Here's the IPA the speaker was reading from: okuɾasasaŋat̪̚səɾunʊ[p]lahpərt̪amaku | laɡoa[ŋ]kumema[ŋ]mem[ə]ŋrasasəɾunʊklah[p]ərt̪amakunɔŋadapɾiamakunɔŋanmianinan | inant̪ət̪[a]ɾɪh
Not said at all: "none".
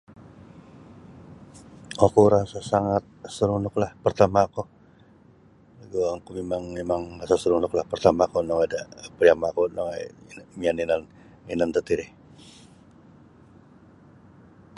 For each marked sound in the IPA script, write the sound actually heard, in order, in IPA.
k, ŋ, ŋ, a, p, i

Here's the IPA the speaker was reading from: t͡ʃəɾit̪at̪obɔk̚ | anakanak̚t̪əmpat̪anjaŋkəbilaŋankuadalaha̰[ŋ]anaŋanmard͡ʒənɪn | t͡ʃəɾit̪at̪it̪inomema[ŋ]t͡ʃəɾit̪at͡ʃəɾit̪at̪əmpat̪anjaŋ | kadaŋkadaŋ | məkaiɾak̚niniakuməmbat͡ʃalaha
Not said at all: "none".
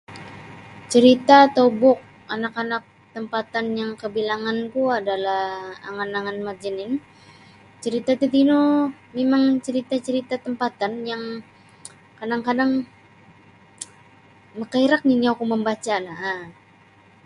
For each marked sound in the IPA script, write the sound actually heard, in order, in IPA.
ŋ, ŋ

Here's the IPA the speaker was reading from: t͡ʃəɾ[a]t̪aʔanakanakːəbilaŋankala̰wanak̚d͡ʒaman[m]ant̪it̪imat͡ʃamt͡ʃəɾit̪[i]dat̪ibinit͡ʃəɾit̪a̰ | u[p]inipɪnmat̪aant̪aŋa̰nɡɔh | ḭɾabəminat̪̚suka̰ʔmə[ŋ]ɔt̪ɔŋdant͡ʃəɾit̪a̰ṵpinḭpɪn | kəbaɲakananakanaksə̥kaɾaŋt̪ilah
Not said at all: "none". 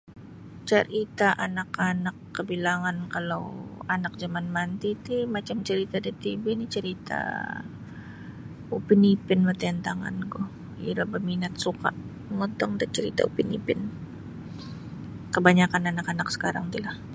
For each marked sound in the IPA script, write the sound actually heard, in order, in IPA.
i, m, a, p, ŋ

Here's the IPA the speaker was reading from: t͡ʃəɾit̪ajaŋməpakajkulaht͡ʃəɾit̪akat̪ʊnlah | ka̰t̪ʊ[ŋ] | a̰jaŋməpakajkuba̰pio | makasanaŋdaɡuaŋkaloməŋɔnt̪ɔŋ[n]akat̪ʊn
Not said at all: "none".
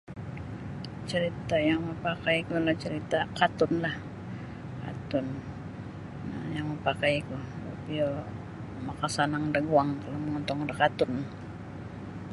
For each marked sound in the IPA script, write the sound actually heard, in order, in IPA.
n, d

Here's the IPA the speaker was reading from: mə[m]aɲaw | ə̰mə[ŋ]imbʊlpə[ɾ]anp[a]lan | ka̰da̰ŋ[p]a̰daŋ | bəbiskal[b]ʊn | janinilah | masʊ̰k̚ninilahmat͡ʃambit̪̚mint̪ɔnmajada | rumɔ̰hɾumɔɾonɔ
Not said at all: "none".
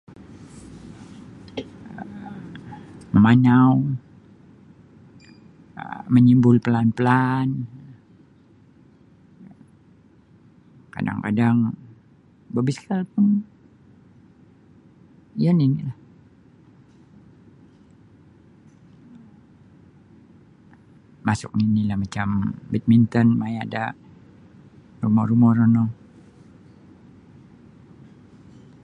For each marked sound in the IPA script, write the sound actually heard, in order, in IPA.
m, ɲ, l, ə, k, p

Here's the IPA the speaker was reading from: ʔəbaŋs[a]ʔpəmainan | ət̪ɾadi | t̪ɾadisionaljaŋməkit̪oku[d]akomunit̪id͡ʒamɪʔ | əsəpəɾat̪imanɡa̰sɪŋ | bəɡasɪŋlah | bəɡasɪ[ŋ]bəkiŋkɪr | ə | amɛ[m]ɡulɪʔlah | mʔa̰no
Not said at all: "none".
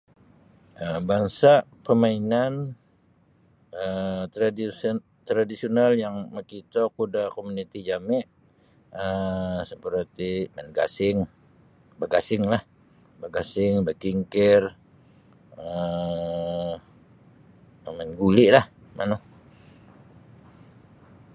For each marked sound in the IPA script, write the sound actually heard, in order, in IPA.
a, d, ŋ, n

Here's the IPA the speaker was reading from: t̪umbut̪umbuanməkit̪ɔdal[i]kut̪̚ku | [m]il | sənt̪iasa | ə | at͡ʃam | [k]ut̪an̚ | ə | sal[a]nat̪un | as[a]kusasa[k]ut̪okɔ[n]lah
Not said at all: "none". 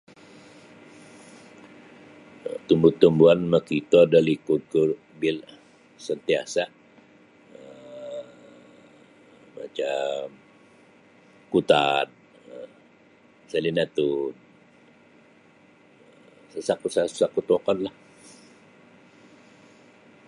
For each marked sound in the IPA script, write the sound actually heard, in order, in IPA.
i, b, k, i, a, k, n

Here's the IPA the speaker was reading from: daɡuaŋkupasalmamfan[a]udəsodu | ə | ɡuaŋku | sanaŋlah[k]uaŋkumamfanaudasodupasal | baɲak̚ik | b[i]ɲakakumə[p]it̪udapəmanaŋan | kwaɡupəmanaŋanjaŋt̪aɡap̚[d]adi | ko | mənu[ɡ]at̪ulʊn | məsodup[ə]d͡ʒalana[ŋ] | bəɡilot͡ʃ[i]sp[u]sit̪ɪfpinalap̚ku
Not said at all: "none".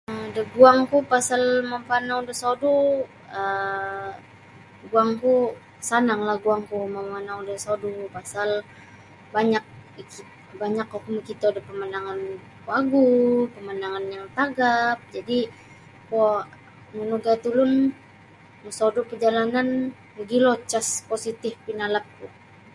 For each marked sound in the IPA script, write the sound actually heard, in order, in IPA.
a, ɡ, a, k, d͡ʒ, ɡ, ə, n, a, o

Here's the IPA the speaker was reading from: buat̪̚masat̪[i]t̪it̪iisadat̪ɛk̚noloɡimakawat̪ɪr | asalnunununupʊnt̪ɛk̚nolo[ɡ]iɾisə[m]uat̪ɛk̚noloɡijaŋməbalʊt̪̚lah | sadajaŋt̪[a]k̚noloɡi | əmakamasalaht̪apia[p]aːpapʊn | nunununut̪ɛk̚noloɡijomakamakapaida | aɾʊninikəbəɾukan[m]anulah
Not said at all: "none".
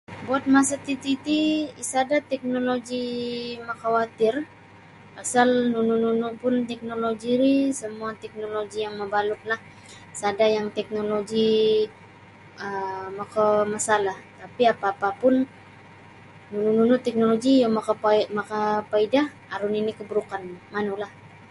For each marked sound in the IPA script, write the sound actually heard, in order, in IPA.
i, ɡ, m, ɛ, p, m

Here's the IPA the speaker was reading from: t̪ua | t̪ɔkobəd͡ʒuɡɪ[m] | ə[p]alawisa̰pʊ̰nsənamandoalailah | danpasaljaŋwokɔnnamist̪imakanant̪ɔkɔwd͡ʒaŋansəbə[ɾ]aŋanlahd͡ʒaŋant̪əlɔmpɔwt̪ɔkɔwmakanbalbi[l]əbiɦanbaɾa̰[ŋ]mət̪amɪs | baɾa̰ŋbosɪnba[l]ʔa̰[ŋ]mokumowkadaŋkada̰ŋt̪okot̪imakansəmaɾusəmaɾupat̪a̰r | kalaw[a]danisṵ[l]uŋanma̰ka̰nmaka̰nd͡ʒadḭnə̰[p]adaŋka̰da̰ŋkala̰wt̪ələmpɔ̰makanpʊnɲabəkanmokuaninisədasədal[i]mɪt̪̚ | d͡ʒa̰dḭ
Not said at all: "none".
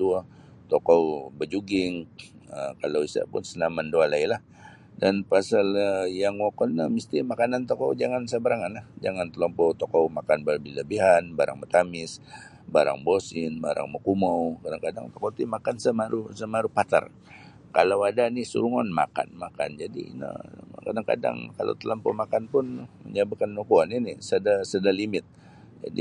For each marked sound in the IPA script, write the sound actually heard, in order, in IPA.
ŋ, k, ɾ, l, ŋ, ɾ, ŋ, a, ɾ, k, i

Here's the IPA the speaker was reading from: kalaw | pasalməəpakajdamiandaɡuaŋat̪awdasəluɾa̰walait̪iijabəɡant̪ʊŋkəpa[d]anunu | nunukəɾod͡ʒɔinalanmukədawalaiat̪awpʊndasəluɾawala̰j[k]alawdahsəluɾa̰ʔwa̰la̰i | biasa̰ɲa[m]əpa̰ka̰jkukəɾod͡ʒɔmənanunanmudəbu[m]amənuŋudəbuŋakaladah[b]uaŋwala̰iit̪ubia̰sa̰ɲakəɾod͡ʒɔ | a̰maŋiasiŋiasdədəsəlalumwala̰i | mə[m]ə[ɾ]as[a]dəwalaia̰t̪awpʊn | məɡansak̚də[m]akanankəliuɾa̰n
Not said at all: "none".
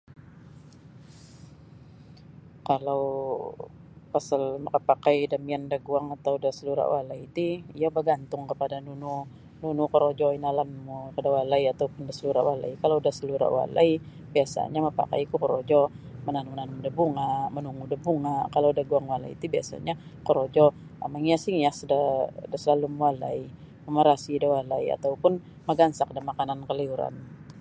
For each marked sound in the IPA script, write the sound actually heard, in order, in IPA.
d, k, m, ŋ, ɡ, m, ɾ, i, m

